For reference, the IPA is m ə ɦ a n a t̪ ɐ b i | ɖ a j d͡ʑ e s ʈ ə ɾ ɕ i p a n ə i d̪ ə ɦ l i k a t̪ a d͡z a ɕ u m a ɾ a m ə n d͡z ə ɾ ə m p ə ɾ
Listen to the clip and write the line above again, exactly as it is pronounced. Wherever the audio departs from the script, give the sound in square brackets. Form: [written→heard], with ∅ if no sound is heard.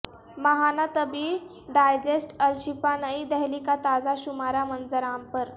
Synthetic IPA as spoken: m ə ɦ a n a t̪ [ɐ→ə] b i | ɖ a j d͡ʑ e s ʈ ə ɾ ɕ i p a n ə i d̪ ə ɦ l i k a t̪ a d͡z a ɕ u m a ɾ a m ə n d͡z ə ɾ [ə→a] m p ə ɾ